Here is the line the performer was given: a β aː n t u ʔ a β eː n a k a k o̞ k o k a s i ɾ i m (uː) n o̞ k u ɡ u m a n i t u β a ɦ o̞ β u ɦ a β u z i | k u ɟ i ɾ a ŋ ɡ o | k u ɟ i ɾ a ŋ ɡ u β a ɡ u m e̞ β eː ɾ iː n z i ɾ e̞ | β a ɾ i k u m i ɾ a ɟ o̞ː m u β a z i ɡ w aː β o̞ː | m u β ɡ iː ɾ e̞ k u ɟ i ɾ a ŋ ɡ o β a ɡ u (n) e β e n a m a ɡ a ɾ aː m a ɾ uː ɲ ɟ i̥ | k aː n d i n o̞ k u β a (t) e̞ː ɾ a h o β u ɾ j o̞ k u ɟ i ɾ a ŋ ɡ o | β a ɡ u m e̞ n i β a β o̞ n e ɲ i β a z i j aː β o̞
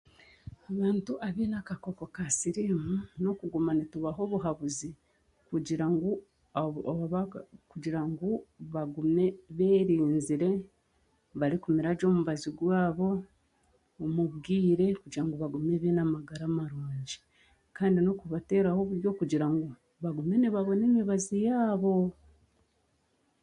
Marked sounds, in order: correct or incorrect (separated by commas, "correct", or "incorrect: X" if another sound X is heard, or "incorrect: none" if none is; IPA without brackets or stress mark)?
incorrect: u, incorrect: m, correct